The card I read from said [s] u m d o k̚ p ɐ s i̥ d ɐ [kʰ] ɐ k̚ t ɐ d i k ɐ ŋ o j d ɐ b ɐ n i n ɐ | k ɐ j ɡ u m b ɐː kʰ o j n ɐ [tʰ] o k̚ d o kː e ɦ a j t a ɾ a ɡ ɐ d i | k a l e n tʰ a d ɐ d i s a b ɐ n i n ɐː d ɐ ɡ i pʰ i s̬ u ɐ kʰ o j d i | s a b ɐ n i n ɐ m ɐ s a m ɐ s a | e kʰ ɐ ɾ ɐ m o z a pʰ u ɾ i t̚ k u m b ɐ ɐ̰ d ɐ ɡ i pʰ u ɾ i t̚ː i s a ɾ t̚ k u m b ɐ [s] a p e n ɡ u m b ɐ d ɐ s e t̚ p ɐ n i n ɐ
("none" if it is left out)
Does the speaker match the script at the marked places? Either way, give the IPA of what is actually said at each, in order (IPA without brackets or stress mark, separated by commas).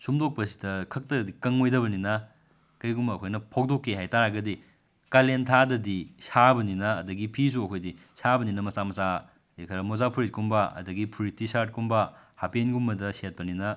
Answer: s, kʰ, pʰ, h